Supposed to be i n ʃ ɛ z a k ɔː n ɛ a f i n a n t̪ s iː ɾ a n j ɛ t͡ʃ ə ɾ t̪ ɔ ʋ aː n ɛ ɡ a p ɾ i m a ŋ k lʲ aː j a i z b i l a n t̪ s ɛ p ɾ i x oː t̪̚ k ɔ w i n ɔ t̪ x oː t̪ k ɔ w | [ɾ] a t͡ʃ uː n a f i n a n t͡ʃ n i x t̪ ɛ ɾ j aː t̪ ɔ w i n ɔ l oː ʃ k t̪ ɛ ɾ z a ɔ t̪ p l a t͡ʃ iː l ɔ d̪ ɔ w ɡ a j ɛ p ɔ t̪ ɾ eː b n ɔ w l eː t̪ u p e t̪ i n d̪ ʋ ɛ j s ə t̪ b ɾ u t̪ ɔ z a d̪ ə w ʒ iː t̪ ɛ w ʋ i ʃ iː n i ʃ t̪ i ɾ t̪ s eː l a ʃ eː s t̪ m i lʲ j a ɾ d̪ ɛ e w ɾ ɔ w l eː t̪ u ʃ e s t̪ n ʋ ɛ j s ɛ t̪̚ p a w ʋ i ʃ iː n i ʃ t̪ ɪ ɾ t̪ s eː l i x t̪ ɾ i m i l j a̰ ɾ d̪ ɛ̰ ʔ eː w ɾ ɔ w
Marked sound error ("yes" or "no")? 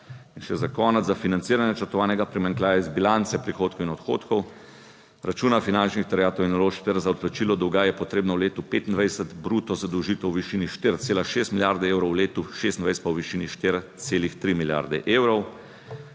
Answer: no